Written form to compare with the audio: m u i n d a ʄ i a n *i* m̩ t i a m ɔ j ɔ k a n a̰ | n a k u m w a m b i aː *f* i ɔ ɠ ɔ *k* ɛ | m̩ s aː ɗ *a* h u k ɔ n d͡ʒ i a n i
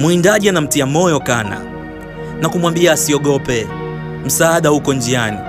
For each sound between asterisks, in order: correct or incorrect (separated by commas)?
incorrect, incorrect, incorrect, correct